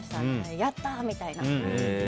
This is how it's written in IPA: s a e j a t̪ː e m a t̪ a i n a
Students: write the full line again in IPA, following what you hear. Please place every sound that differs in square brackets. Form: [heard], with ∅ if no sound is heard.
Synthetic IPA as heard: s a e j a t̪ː [a] m [i] t̪ a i n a